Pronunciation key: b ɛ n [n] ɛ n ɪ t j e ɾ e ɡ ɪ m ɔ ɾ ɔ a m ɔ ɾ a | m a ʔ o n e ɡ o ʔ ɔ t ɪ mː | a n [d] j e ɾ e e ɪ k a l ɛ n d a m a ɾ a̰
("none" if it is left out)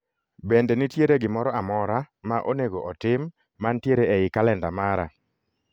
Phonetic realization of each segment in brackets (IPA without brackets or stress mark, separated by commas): d, t